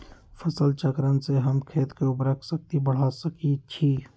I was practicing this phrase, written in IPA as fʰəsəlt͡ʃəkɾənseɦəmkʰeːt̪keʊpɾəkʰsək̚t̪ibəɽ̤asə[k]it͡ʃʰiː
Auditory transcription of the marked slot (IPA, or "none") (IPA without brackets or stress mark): k